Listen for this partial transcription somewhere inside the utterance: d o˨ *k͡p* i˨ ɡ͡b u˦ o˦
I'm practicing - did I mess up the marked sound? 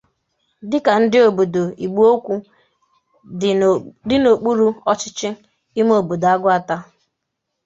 yes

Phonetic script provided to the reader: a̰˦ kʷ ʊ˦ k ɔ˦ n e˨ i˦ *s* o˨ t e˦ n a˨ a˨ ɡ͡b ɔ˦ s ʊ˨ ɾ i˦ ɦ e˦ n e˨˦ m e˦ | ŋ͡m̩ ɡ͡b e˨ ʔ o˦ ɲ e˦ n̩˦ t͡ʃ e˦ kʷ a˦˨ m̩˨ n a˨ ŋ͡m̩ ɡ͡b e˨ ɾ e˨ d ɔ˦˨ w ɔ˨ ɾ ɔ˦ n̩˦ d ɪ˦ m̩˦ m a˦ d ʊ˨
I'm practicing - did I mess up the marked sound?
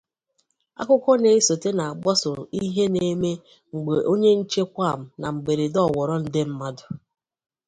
no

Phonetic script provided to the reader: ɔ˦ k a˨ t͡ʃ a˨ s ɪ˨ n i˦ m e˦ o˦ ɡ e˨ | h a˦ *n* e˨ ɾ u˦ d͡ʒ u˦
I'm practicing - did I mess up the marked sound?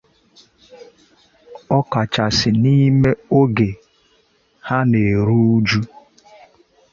no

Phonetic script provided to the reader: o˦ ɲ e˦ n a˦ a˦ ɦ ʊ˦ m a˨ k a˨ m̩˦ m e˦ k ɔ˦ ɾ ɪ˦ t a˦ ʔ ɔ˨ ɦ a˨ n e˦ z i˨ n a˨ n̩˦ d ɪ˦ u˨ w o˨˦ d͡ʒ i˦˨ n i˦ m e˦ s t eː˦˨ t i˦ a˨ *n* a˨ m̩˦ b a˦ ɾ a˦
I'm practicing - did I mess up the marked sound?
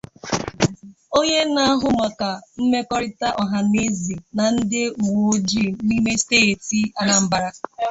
no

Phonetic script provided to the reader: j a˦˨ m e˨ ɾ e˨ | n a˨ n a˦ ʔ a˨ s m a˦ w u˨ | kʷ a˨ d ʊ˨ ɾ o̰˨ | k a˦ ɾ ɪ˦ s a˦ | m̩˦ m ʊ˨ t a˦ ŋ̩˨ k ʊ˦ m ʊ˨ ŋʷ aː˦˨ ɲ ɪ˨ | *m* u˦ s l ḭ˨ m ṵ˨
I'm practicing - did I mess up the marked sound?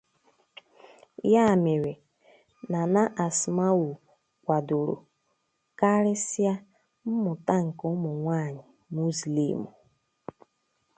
no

